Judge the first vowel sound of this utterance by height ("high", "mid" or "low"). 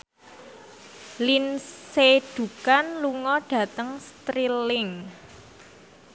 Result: high